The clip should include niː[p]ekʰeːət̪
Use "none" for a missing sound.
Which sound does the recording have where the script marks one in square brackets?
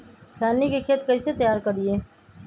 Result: k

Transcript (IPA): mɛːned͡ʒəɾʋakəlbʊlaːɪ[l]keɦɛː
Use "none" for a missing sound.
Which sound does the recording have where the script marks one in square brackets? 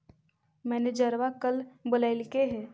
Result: l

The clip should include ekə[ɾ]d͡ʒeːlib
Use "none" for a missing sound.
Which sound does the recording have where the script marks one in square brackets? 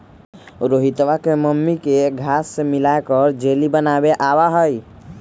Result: ɾ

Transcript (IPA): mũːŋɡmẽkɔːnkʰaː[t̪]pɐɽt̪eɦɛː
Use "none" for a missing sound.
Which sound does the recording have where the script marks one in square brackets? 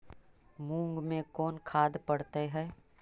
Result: d̪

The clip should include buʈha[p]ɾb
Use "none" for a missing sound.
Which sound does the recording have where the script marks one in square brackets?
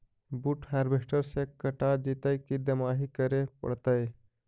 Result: none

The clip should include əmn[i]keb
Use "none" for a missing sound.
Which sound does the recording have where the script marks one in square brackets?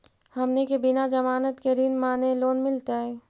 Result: e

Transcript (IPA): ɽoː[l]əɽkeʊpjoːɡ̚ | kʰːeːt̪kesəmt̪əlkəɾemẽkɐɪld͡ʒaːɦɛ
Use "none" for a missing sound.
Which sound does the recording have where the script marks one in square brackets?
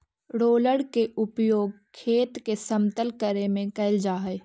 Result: l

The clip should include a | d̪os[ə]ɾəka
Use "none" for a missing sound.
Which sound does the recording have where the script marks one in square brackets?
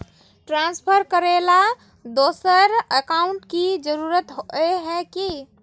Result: ə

